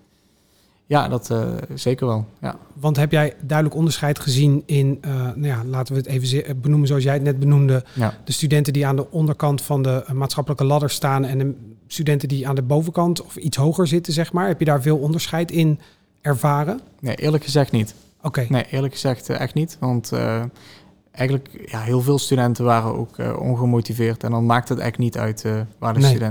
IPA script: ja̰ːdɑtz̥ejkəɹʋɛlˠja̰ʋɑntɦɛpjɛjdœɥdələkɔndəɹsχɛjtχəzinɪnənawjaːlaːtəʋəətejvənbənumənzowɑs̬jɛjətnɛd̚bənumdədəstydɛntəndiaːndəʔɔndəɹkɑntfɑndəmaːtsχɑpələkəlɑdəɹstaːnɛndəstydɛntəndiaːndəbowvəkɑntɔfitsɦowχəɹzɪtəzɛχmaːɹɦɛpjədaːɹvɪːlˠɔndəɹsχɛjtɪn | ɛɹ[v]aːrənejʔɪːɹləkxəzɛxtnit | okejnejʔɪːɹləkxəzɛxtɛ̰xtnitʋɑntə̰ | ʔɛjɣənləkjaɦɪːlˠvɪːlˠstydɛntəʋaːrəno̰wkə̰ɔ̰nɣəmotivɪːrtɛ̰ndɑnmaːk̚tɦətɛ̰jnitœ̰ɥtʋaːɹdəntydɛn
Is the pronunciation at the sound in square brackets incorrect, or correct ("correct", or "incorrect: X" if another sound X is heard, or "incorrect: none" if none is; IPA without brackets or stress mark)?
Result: correct